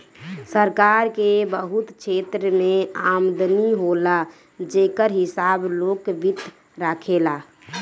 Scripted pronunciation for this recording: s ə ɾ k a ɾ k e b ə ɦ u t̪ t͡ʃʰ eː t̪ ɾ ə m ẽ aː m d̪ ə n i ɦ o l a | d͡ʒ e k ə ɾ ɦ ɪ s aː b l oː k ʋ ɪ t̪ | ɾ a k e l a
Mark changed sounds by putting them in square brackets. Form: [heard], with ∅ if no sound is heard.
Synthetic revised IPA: s ə ɾ k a ɾ k e b ə ɦ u t̪ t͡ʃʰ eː t̪ ɾ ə m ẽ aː m d̪ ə n i ɦ o l a | d͡ʒ e k ə ɾ ɦ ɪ s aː b l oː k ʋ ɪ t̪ | ɾ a [kʰ] e l a